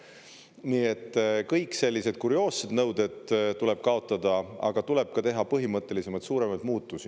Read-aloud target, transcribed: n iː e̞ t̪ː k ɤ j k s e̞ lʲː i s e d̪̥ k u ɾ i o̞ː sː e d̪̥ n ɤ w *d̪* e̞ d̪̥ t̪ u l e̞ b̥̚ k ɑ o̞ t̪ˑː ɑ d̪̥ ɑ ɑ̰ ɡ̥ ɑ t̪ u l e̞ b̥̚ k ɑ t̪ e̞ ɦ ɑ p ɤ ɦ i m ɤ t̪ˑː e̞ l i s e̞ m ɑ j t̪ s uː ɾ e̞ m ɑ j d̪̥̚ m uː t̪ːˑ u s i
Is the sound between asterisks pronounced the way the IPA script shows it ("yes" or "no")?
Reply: yes